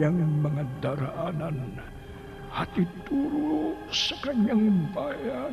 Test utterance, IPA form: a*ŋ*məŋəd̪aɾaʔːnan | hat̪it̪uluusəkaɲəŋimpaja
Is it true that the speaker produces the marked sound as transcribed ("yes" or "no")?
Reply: yes